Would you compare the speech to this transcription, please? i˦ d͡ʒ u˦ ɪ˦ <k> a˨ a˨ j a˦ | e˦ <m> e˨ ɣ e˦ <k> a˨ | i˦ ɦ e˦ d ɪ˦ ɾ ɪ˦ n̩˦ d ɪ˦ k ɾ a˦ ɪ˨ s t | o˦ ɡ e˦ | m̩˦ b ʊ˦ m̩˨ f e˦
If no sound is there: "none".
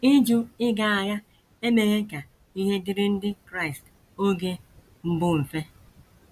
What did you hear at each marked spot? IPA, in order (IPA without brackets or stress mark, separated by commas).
ɡ, m, k